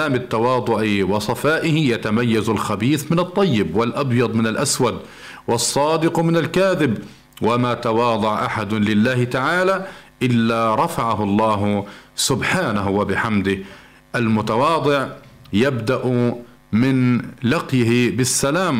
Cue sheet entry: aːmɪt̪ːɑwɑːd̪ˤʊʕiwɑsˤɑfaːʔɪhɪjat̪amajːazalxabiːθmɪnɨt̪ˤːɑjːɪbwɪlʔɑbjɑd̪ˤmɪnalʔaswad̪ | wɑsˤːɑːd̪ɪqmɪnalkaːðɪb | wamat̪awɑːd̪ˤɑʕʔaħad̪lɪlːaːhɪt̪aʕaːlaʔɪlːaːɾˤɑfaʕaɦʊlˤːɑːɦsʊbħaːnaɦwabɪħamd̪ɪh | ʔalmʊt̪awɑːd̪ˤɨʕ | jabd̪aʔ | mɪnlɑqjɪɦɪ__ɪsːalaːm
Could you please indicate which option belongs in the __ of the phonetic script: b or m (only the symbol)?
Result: b